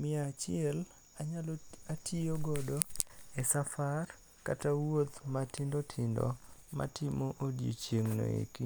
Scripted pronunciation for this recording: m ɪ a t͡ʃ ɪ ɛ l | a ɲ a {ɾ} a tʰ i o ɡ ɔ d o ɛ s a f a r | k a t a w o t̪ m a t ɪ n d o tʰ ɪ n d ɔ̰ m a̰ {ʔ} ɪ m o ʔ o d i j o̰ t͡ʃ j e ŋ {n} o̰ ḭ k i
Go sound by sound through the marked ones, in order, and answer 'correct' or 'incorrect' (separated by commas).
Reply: incorrect, incorrect, correct